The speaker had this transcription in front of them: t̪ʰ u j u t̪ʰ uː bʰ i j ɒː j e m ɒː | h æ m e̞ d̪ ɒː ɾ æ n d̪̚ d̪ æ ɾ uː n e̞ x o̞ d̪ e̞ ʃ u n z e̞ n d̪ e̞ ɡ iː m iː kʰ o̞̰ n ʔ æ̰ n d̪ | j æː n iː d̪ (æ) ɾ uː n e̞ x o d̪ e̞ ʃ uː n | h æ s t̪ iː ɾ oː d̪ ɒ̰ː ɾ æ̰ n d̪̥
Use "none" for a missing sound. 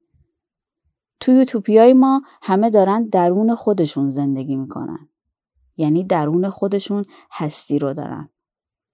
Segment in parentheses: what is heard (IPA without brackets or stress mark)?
æ